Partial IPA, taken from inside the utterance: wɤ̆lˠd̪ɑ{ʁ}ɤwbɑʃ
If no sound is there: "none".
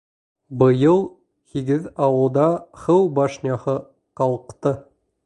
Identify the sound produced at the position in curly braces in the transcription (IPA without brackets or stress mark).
χ